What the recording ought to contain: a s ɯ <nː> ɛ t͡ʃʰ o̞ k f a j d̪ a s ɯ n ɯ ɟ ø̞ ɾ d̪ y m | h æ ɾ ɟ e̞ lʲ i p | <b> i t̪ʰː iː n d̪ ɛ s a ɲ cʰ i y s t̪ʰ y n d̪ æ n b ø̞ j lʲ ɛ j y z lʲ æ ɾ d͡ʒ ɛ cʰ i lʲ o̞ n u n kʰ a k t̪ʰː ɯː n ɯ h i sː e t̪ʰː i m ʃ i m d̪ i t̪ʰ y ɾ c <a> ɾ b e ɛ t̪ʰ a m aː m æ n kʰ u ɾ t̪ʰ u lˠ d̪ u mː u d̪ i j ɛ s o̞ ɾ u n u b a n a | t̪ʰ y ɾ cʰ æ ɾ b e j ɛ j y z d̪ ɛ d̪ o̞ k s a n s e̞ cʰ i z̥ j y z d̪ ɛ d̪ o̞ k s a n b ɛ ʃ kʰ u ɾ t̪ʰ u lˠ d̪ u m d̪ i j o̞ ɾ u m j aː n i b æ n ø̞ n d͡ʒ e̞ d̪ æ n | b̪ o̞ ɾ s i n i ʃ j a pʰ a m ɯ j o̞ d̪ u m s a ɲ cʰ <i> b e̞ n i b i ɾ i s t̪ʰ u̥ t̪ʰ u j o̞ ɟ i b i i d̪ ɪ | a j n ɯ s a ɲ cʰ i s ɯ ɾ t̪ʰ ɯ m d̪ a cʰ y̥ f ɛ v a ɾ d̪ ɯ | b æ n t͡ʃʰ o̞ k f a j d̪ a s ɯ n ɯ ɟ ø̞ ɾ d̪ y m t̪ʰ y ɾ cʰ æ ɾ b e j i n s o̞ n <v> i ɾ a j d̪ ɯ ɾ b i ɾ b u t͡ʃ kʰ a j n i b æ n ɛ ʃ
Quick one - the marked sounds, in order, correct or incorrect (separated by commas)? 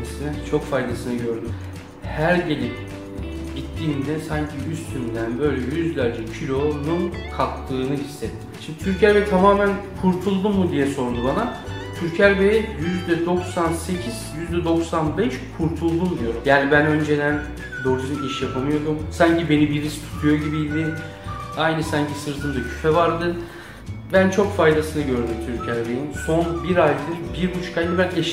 incorrect, incorrect, incorrect, correct, incorrect